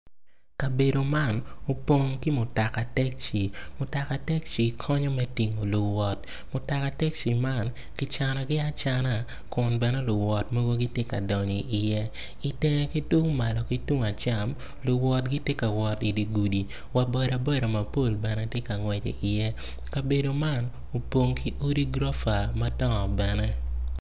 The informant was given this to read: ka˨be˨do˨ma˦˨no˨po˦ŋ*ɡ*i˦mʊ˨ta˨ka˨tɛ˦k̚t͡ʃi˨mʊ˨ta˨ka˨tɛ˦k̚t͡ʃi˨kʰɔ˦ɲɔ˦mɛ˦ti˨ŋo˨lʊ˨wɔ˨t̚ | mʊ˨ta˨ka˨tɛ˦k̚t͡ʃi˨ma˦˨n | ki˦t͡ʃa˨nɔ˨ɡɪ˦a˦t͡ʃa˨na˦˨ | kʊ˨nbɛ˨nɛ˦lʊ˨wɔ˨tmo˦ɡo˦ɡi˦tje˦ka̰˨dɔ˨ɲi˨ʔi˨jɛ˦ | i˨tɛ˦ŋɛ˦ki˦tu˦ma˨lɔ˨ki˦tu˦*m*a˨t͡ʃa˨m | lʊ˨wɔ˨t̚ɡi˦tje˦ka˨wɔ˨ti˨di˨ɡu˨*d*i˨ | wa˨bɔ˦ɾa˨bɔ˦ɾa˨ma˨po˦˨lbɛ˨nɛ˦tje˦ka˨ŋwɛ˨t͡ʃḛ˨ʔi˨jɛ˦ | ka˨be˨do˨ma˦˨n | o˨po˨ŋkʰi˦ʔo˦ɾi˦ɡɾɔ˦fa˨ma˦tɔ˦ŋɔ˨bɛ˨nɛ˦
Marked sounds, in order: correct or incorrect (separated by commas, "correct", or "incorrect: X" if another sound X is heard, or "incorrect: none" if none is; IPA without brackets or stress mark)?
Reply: incorrect: k, incorrect: ŋ, correct